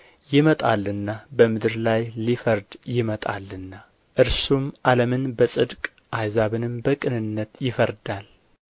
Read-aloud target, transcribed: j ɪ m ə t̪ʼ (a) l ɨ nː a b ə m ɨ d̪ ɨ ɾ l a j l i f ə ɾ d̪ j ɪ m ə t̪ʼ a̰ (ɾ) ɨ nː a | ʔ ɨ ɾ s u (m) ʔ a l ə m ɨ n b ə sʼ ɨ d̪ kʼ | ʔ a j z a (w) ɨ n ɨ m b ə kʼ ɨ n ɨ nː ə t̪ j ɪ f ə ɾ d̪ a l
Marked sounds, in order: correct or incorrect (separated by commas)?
correct, incorrect, correct, incorrect